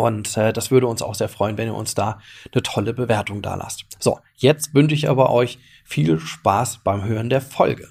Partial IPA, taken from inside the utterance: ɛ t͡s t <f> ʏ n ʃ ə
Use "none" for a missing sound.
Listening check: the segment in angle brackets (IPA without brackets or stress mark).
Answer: v